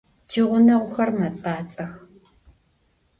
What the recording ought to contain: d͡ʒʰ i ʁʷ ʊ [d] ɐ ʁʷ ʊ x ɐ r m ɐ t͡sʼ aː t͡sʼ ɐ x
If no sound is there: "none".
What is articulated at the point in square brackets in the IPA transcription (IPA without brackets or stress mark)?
n